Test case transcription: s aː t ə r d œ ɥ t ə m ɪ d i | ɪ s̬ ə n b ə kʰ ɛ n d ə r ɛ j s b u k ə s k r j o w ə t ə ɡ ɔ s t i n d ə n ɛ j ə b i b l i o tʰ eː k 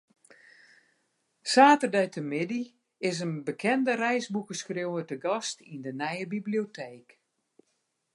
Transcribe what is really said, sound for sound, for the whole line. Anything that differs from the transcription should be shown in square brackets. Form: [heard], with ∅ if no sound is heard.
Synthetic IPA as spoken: s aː t ə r d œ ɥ t ə m ɪ d i | ɪ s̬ ə n b ə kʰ ɛ n d ə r ɛ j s b u k ə s k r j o w ə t ə ɡ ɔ s t i n d ə n ɛ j ə b i b l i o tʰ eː k